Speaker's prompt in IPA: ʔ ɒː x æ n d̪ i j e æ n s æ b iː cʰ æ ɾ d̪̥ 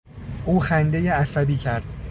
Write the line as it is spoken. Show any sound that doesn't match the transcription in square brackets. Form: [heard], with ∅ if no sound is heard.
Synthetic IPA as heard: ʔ [uː] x æ n d̪ [e] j e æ [∅] s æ b iː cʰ æ ɾ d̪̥